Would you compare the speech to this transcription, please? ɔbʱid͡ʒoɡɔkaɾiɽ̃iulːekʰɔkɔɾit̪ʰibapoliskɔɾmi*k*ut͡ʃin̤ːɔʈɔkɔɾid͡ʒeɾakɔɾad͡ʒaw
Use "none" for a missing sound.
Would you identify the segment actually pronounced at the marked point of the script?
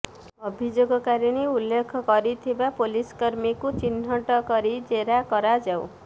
k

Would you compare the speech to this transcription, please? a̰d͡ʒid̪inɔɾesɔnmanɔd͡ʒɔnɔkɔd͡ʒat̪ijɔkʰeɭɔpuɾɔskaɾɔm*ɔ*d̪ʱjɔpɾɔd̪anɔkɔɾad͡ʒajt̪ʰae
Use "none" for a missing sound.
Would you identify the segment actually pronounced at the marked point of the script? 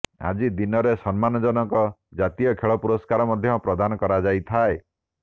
ɔ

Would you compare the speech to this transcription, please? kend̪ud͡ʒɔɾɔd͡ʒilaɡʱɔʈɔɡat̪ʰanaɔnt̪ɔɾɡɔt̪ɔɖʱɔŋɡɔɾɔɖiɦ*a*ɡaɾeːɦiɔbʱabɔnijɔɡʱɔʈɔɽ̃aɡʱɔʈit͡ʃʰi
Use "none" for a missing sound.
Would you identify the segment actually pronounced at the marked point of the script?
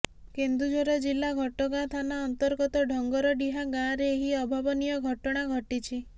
a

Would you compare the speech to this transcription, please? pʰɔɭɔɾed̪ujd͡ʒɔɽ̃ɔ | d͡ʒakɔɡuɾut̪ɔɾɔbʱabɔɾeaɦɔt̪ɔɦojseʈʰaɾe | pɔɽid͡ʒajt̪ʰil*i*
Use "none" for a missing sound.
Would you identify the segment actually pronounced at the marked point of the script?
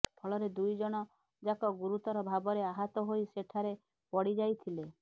e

